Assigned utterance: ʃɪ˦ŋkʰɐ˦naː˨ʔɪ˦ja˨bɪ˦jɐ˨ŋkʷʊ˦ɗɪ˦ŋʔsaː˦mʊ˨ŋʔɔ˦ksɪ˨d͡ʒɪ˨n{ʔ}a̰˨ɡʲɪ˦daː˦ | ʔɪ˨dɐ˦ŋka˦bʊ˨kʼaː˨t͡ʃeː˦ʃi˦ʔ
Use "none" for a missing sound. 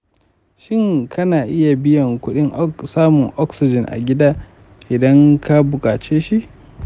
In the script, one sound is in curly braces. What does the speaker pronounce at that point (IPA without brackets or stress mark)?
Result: ʔ